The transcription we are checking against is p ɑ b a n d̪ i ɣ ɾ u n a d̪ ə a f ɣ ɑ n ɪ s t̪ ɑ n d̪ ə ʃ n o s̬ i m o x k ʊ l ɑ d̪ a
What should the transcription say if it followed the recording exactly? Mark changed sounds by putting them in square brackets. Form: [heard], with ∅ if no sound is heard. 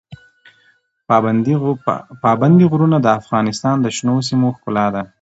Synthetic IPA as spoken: p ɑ b a n d̪ i ɣ ɾ u n a d̪ ə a f ɣ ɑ n ɪ s t̪ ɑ n d̪ ə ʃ n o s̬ i m o x k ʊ l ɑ d̪ a